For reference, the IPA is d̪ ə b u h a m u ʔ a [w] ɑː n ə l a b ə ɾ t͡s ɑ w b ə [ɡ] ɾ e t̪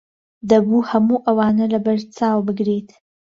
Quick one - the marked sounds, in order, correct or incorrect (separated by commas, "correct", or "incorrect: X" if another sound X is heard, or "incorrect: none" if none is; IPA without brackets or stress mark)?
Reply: correct, correct